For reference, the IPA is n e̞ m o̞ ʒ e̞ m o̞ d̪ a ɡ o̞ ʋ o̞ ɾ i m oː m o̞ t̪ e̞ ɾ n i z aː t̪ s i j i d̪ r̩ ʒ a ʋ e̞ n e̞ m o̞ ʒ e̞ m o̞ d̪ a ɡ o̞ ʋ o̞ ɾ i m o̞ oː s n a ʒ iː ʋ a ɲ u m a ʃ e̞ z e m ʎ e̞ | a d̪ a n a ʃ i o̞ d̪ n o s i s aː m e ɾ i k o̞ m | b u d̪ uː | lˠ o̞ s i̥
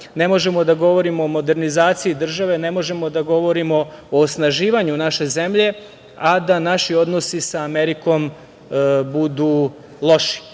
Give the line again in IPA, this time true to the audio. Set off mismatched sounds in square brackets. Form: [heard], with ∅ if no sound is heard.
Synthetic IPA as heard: n e̞ m o̞ ʒ e̞ m o̞ d̪ a ɡ o̞ ʋ o̞ ɾ i m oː m o̞ [d̪] e̞ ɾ n i z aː t̪ s i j i d̪ r̩ ʒ a ʋ e̞ n e̞ m o̞ ʒ e̞ m o̞ d̪ a ɡ o̞ ʋ o̞ ɾ i m o̞ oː s n a ʒ iː ʋ a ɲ u [n] a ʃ e̞ z e m ʎ e̞ | a d̪ a n a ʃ i o̞ d̪ n o s i s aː m e ɾ i k o̞ m | b u d̪ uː | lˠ o̞ [ʃ] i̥